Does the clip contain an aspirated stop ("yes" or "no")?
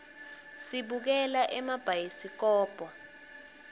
no